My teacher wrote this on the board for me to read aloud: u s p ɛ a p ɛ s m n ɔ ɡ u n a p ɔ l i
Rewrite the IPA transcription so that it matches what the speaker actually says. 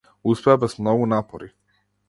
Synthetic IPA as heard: u s p ɛ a b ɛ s m n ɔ ɡ u n a p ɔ ɾ i